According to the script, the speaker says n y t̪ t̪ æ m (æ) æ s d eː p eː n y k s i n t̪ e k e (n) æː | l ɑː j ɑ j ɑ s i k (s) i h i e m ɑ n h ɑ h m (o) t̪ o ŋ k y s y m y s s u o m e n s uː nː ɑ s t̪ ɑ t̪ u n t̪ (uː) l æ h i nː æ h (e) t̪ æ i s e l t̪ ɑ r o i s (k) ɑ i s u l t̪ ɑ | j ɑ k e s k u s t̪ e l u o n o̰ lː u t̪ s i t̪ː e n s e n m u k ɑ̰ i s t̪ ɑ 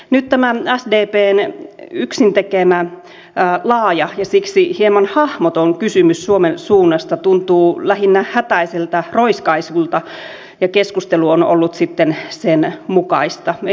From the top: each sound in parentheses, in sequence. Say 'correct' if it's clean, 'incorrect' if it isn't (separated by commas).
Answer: correct, incorrect, correct, correct, correct, incorrect, correct